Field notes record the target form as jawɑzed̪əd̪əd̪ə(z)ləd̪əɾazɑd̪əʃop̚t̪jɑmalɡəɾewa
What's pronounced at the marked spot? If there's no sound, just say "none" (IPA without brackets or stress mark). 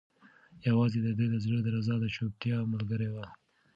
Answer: z